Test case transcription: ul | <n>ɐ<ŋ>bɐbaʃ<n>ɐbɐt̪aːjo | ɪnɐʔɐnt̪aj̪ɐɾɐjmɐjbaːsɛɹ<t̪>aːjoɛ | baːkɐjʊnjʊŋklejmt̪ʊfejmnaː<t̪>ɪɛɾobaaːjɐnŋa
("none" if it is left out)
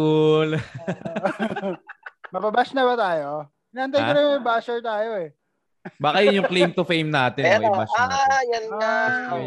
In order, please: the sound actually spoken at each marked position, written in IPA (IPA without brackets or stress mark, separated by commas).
m, none, n, t̪, t̪